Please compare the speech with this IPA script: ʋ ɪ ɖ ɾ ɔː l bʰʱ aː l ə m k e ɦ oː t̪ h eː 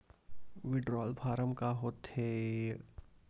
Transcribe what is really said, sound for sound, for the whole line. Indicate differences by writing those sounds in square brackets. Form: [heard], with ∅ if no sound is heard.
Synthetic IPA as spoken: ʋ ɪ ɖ ɾ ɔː l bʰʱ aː [ɾ] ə m k [a] ɦ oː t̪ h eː